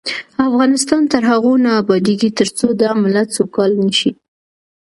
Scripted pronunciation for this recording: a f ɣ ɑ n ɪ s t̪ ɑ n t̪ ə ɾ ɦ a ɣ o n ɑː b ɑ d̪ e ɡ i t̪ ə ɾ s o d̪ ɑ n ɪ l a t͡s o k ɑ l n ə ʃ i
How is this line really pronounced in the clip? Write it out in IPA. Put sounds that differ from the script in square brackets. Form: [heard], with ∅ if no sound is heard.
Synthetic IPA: a f ɣ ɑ n ɪ s t̪ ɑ n t̪ ə ɾ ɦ a ɣ o n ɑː b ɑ d̪ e ɡ i t̪ ə ɾ [t͡s] o d̪ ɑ [m] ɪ l a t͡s o k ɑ l n ə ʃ i